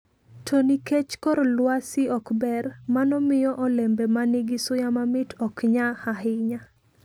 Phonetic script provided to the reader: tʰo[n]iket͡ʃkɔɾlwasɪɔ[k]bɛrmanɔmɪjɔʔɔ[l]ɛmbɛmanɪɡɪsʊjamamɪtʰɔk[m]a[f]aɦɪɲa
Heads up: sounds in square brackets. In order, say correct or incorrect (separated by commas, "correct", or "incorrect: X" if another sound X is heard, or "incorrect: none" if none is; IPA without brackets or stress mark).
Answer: correct, correct, correct, incorrect: ɲ, incorrect: h